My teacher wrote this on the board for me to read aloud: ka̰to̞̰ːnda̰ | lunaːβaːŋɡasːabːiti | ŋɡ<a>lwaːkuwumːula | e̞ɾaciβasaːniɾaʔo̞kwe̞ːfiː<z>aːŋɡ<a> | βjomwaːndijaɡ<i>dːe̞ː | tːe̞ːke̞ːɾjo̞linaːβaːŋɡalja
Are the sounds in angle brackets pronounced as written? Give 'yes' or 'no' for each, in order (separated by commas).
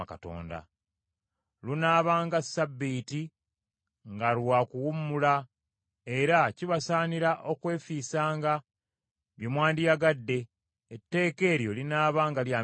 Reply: yes, no, yes, no